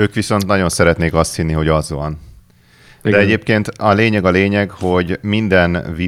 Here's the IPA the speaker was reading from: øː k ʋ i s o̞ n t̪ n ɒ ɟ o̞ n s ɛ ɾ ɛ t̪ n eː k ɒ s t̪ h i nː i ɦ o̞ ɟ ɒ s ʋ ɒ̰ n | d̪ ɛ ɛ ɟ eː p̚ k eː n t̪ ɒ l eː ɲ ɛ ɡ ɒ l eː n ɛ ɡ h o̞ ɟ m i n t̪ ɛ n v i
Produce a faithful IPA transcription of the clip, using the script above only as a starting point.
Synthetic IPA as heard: øː k ʋ i s o̞ n t̪ n ɒ ɟ o̞ n s ɛ ɾ ɛ t̪ n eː k ɒ s t̪ h i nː i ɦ o̞ ɟ ɒ z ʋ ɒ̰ n | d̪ ɛ ɛ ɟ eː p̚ k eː n t̪ ɒ l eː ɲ ɛ ɡ ɒ l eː ɲ ɛ ɡ h o̞ ɟ m i n d̪ ɛ n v i